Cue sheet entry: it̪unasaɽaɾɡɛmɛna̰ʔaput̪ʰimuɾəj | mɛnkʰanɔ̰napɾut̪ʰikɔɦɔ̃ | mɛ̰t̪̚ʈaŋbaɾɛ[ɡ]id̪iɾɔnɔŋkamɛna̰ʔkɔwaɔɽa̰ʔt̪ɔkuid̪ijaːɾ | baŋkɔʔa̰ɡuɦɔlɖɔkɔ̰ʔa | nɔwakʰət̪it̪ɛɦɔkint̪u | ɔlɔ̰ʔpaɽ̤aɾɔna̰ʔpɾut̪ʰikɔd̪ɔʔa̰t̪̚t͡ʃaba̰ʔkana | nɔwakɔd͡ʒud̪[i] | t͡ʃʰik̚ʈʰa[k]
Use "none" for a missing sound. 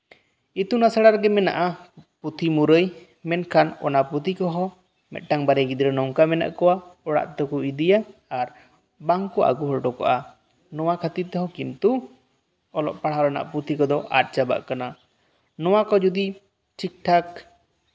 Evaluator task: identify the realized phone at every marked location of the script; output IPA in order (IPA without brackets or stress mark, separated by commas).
ɡ, i, k